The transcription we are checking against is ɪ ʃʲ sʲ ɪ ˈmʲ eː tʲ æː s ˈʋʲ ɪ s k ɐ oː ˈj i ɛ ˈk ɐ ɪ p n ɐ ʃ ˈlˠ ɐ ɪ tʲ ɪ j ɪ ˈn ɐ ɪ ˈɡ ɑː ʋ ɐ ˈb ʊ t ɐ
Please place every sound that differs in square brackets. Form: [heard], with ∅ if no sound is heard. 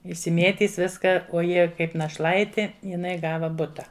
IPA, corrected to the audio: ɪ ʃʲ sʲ ɪ ˈmʲ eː tʲ [iː] s ˈʋʲ ɪ s k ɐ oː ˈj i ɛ ˈk ɐ ɪ p n ɐ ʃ ˈlˠ ɐ ɪ tʲ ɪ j ɪ ˈn ɐ ɪ ˈɡ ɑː ʋ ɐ ˈb ʊ t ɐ